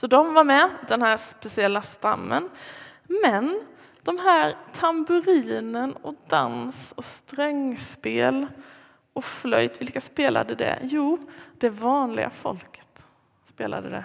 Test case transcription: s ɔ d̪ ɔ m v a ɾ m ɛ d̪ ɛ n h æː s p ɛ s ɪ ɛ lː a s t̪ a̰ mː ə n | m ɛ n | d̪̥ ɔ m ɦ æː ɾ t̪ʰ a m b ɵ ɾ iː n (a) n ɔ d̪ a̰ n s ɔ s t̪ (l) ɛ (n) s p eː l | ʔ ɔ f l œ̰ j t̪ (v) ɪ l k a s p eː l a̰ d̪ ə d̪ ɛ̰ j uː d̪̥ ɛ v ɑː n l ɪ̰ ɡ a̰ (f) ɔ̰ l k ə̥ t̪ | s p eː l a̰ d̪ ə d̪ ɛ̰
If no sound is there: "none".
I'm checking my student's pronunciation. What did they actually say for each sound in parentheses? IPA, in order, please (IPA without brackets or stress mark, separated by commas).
ə, ɾ, ŋ, v, f